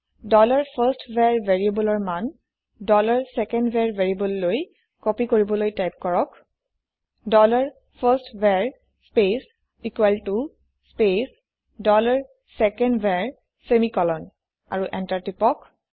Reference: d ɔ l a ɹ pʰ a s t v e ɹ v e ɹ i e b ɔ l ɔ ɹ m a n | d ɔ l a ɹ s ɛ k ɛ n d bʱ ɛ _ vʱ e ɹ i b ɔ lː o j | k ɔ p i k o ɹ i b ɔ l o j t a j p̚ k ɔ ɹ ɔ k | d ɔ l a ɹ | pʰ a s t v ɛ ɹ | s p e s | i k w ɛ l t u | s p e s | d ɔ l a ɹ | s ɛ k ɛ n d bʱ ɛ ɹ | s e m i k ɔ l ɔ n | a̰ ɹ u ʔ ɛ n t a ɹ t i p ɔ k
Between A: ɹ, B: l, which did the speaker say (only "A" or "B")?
A